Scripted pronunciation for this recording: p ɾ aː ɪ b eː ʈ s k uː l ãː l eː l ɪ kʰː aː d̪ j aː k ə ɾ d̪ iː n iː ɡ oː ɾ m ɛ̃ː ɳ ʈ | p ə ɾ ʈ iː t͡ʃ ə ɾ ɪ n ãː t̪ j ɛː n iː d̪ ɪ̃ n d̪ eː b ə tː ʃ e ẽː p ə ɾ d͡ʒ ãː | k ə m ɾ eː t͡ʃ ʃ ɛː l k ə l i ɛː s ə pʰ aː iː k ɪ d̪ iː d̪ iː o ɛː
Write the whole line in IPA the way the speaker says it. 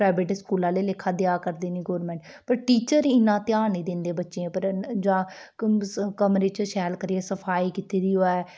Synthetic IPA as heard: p ɾ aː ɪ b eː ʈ s k uː l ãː l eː l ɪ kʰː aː d̪ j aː k ə ɾ d̪ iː n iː ɡ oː ɾ m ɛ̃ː ɳ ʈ | p ə ɾ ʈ iː t͡ʃ ə ɾ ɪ n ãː t̪ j aː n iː d̪ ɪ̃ n d̪ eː b ə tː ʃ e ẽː p ə ɾ d͡ʒ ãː | k ə m ɾ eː t͡ʃ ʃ ɛː l k ə ɾ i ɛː s ə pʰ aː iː k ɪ t̪ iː d̪ iː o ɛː